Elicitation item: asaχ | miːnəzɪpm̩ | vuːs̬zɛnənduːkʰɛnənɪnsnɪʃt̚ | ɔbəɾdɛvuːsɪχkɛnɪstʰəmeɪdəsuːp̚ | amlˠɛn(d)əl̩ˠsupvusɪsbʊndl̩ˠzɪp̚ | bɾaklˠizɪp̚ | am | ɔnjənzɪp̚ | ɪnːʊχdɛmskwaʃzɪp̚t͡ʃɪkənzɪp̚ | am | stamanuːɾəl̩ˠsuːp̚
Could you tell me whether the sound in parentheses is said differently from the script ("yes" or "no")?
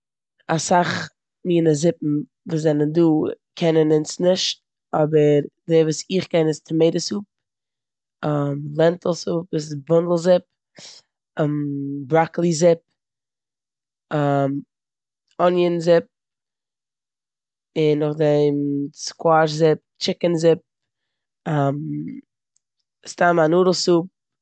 yes